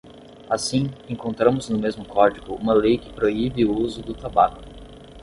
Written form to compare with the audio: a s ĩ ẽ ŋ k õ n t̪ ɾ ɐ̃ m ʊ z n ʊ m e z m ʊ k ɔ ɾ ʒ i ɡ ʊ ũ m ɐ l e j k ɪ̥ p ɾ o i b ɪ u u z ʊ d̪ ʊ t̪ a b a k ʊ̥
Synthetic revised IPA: a s ĩ ẽ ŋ k õ n t̪ ɾ ɐ̃ m ʊ z n ʊ m e z m ʊ k ɔ ɾ d͡ʒ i ɡ ʊ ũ m ɐ l e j k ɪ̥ p ɾ o i b ɪ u u z ʊ d̪ ʊ t̪ a b a k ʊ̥